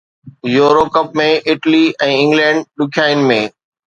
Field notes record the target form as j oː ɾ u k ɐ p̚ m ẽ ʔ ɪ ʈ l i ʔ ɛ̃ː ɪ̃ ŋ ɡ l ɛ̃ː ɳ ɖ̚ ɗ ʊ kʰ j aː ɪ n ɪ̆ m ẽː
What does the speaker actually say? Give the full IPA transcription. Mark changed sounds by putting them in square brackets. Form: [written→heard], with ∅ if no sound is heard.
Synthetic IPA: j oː ɾ [u→o] k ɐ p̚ m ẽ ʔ ɪ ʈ l i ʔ ɛ̃ː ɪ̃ ŋ ɡ l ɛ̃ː ɳ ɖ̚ ɗ ʊ kʰ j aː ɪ n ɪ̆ m ẽː